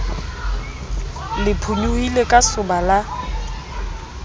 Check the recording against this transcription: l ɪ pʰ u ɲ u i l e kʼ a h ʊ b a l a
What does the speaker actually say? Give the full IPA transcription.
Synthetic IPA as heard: l ɪ pʰ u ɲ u i l e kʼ a s ʊ b a l a

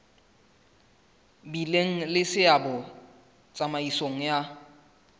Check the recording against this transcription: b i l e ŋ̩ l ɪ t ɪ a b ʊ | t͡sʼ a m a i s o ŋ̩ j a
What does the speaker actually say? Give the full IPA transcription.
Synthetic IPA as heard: b i l e ŋ̩ l ɪ s ɪ a b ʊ | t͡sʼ a m a i s o ŋ̩ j a

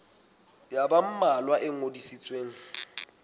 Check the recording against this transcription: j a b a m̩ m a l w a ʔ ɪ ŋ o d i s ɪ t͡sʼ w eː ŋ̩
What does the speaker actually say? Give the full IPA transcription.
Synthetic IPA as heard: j a b a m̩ m a l w a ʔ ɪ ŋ o d i s i t͡sʼ w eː ŋ̩

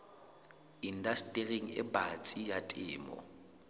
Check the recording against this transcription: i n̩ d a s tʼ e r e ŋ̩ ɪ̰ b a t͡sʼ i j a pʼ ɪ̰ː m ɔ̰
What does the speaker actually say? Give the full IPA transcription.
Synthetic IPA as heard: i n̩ d a s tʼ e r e ŋ̩ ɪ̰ b a t͡sʼ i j a tʼ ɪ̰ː m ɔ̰

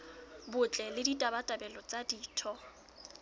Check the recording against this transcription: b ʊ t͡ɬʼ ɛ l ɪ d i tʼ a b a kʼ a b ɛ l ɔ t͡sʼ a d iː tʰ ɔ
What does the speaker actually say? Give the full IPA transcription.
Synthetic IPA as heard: b ʊ t͡ɬʼ ɛ l ɪ d i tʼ a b a tʼ a b ɛ l ɔ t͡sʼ a d iː tʰ ɔ

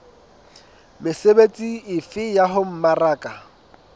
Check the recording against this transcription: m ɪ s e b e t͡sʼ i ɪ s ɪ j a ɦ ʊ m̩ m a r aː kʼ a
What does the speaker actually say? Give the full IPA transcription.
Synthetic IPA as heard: m ɪ s e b e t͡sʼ i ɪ f ɪ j a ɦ ʊ m̩ m a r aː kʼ a

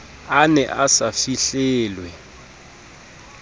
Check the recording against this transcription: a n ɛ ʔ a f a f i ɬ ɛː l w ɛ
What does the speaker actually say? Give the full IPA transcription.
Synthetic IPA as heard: a n ɛ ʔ a s a f i ɬ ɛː l w ɛ

